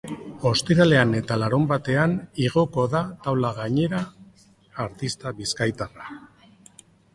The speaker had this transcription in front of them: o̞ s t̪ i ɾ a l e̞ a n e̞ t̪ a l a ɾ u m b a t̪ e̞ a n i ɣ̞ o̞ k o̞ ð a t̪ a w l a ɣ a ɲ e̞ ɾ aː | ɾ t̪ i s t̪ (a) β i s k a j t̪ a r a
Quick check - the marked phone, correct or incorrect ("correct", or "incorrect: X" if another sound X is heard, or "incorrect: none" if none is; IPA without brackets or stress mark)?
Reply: correct